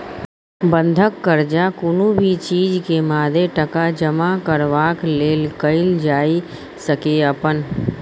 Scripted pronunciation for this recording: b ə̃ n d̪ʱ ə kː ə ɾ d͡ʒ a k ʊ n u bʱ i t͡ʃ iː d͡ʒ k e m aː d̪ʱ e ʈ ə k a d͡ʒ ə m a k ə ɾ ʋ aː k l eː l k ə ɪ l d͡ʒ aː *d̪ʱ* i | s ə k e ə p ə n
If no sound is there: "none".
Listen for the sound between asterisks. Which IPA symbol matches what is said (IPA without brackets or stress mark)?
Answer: none